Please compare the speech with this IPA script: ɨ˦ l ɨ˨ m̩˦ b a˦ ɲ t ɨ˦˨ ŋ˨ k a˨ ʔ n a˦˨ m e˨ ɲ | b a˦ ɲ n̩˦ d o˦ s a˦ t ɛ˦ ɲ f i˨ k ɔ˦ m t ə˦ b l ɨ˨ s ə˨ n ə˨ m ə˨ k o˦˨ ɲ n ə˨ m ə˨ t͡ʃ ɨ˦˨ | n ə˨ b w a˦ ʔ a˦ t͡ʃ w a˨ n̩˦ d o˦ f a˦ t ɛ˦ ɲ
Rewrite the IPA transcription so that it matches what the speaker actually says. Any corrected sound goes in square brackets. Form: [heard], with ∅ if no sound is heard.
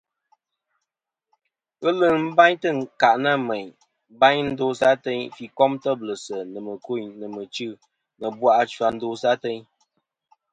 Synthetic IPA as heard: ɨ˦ l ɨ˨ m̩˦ b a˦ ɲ t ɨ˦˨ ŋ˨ k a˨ ʔ n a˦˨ m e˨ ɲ | b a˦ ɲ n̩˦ d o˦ s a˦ t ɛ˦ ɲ f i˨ k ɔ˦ m t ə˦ b l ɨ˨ s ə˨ n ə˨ m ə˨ k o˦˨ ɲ n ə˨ m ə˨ t͡ʃ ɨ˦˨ | n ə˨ b w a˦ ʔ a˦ t͡ʃ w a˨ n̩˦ d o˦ [s] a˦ t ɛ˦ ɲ